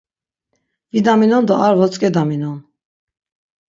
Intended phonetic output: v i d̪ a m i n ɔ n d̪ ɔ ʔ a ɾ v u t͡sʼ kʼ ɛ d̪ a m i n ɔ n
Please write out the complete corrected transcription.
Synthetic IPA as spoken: v i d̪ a m i n ɔ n d̪ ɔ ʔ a ɾ v ɔ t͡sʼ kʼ ɛ d̪ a m i n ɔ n